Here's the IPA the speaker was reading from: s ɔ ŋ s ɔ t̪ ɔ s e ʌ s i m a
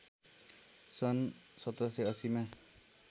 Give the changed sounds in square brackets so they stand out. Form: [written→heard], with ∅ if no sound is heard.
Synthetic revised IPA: s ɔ [ŋ→n] s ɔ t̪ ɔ s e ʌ s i m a